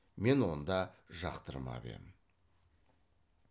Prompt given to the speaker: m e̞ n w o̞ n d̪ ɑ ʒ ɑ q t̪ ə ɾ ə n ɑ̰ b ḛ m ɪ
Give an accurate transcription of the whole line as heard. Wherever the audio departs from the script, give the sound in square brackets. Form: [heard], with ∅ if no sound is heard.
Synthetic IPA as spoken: m e̞ n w o̞ n d̪ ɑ ʒ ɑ q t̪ ə ɾ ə [m] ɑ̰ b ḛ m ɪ